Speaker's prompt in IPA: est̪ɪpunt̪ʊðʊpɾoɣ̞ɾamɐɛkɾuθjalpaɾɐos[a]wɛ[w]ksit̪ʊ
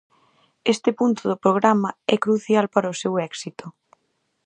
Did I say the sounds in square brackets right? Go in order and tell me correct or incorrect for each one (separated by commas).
incorrect, incorrect